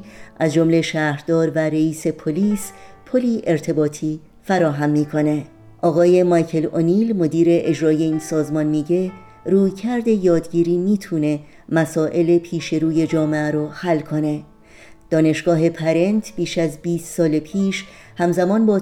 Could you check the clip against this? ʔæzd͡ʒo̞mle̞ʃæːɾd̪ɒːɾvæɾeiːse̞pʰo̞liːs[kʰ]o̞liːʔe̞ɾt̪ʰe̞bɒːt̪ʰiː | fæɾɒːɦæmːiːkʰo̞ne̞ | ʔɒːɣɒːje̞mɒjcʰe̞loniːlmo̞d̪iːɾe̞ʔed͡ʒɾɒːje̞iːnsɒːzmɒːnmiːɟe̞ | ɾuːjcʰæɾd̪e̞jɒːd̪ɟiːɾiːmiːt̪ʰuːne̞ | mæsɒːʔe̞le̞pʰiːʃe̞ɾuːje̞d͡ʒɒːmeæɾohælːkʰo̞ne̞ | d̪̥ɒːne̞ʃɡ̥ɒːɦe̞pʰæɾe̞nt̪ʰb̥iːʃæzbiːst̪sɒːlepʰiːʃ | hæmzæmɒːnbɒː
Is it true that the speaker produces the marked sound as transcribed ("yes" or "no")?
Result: no